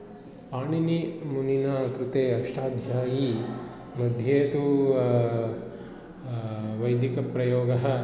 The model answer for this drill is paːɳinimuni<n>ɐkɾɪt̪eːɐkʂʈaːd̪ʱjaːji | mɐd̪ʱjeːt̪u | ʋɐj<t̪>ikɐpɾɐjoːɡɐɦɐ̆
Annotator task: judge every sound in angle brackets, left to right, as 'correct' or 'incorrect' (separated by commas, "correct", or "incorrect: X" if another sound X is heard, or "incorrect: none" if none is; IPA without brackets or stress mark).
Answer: correct, incorrect: d̪